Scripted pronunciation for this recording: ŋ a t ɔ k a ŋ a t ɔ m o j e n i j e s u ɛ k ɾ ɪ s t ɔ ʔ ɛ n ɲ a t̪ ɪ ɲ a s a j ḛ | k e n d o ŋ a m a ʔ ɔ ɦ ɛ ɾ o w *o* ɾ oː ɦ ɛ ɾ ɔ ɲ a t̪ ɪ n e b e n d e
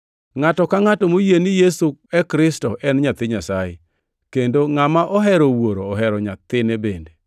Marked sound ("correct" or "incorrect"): correct